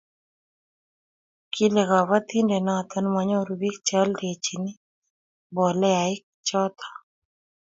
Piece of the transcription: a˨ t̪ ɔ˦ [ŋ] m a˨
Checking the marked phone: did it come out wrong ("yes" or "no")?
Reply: yes